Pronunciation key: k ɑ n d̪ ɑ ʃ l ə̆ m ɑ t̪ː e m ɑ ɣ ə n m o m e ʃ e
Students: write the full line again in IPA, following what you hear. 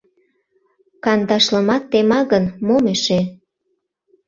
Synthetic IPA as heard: k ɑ n d̪ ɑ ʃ l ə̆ m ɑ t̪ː e m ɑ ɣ ə n m o m e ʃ e